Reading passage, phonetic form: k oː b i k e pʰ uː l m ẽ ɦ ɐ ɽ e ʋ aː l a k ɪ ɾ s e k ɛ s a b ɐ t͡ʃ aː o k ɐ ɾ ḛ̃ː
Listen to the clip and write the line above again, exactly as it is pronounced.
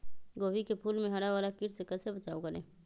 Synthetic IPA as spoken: ɡ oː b i k e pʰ uː l m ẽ ɦ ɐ ɽ a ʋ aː l a k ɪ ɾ s e k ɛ s e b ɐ t͡ʃ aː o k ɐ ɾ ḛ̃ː